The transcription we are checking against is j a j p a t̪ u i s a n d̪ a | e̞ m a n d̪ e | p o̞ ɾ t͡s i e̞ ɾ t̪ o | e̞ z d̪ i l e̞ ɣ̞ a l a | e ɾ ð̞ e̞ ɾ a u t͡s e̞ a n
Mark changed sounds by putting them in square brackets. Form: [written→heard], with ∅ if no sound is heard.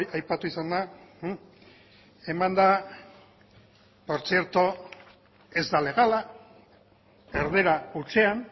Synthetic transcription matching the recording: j a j p a t̪ u i s a n d̪ a | e̞ m a n d̪ [e→a] | p o̞ ɾ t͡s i e̞ ɾ t̪ o | e̞ z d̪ [i→a] l e̞ ɣ̞ a l a | e ɾ ð̞ e̞ ɾ a u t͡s e̞ a n